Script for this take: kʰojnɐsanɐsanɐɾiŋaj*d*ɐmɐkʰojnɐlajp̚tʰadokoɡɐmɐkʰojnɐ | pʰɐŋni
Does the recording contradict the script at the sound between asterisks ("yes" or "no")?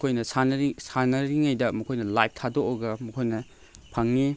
no